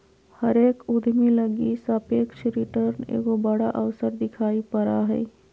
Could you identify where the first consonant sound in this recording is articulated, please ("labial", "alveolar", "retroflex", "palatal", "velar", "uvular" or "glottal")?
glottal